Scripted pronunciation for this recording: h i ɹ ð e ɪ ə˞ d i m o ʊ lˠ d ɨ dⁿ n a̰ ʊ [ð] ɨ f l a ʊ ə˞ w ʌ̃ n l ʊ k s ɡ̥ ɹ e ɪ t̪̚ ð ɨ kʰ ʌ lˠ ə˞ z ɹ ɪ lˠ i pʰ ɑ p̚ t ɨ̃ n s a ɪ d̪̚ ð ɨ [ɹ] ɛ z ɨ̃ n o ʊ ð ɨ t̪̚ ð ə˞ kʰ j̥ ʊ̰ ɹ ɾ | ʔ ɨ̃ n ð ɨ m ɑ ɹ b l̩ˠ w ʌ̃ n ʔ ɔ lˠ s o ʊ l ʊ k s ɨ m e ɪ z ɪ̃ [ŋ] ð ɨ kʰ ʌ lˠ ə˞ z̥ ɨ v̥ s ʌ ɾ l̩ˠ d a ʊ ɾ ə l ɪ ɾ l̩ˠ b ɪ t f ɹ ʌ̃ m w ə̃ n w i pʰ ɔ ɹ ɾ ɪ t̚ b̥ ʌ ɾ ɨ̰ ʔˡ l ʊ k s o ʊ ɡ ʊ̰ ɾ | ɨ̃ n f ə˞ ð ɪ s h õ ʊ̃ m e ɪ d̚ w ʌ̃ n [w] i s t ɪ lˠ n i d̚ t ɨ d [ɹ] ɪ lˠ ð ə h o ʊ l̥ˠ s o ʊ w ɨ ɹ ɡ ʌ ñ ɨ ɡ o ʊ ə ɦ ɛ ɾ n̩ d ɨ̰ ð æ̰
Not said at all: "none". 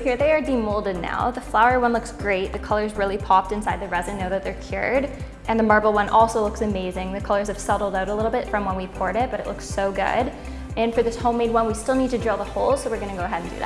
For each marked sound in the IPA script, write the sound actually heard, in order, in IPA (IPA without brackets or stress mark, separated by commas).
ð, ɹ, ŋ, w, ɹ